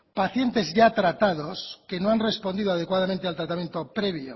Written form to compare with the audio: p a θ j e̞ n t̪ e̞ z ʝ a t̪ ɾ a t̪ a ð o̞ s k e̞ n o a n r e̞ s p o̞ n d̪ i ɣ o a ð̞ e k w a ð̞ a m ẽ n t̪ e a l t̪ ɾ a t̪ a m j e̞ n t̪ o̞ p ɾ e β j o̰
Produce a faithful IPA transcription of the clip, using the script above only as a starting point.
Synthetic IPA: p a θ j e̞ n t̪ e̞ z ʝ a t̪ ɾ a t̪ a ð o̞ s k e̞ n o a n r e̞ s p o̞ n d̪ i ð o a ð̞ e k w a ð̞ a m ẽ n t̪ e a l t̪ ɾ a t̪ a m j e̞ n t̪ o̞ p ɾ e β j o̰